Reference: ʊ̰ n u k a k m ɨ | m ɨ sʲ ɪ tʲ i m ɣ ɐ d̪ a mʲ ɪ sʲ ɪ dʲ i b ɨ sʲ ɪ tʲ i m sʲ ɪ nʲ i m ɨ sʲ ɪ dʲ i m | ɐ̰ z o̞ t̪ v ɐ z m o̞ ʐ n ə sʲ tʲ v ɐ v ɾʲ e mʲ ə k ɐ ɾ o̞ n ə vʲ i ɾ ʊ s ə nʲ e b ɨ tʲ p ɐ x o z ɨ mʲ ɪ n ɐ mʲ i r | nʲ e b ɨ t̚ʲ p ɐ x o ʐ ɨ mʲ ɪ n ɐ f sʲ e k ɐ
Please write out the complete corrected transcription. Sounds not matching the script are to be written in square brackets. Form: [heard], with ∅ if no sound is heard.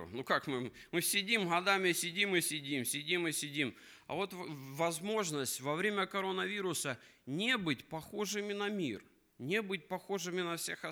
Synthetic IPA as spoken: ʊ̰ n u k a k m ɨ | m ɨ sʲ ɪ [dʲ] i m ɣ ɐ d̪ a mʲ ɪ sʲ ɪ dʲ i [m] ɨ sʲ ɪ [dʲ] i m sʲ ɪ [dʲ] i m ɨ sʲ ɪ dʲ i m | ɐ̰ [v] o̞ t̪ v ɐ z m o̞ ʐ n ə sʲ tʲ v ɐ v ɾʲ e mʲ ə k ɐ ɾ o̞ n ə vʲ i ɾ ʊ s ə nʲ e b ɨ tʲ p ɐ x o [ʐ] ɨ mʲ ɪ n ɐ mʲ i r | nʲ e b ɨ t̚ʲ p ɐ x o ʐ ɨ mʲ ɪ n ɐ f sʲ e [x] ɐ